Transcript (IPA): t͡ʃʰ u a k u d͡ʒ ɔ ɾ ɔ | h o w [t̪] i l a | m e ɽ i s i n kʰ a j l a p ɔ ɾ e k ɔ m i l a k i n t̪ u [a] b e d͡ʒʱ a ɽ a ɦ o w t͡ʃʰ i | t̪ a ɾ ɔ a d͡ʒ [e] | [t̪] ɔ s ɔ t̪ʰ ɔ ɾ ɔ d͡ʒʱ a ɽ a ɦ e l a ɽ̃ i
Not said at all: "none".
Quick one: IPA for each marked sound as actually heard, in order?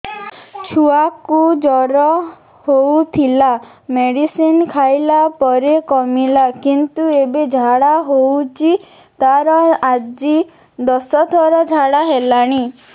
t̪ʰ, e, i, d̪

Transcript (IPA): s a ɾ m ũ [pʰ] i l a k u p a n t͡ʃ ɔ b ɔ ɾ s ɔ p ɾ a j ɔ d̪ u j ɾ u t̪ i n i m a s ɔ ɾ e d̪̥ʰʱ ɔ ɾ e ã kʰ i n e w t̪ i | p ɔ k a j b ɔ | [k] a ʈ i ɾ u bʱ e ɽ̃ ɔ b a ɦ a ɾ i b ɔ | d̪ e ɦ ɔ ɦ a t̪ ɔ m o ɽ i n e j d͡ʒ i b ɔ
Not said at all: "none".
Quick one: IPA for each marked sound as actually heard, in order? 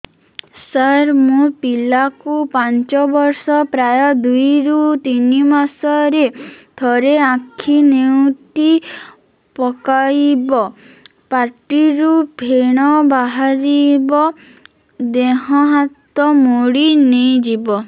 p, p

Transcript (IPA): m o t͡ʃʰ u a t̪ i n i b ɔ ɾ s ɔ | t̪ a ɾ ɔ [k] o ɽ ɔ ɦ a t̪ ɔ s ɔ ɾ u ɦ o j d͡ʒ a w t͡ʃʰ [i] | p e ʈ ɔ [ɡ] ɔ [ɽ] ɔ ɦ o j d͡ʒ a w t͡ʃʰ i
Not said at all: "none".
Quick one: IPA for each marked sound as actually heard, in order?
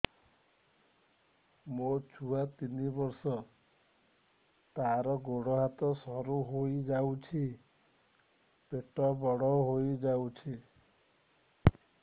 ɡ, i, b, ɽ

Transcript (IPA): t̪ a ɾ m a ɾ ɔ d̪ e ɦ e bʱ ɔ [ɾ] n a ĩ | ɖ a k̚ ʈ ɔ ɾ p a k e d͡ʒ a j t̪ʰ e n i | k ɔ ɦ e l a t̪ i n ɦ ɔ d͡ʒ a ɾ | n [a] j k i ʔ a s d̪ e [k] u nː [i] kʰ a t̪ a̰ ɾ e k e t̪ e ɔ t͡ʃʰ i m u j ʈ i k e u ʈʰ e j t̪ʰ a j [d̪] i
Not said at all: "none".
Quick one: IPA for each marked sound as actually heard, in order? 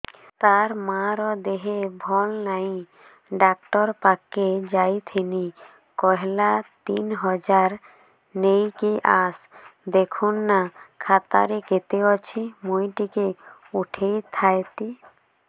l, e, kʰ, a, t̪

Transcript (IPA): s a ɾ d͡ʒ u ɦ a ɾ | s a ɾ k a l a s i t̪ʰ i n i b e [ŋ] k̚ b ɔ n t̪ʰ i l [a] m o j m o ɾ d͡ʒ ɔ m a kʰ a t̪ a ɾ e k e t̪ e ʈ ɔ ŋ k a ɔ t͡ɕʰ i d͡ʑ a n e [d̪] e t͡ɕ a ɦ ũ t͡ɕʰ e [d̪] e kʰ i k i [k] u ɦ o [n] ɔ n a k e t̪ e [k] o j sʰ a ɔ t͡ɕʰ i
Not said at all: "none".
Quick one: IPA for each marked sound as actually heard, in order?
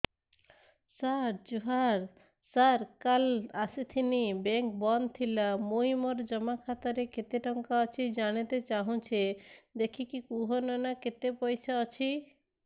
ŋ, a, t̪, d̪, k, n, p

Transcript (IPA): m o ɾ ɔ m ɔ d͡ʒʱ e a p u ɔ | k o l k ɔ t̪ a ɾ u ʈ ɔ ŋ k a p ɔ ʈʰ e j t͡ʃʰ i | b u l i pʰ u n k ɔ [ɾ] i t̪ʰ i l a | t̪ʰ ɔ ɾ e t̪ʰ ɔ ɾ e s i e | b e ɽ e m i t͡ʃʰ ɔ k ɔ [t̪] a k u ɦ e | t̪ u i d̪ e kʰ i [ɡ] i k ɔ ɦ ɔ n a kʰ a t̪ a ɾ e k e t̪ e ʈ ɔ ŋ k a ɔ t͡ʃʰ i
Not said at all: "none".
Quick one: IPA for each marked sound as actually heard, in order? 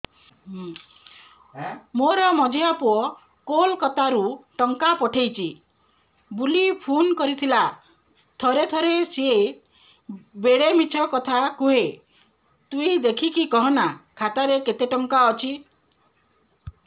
ɾ, t̪ʰ, k

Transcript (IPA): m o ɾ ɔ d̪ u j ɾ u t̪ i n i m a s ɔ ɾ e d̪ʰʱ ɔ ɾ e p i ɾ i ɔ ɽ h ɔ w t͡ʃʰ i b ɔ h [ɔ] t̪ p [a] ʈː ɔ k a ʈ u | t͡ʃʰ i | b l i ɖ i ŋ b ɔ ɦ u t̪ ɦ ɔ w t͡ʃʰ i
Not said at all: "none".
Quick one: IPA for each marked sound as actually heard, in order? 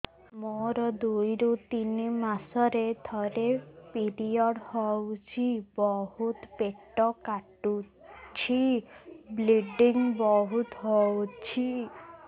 u, e

